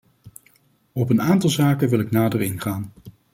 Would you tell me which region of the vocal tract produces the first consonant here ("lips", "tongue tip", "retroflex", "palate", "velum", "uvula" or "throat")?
lips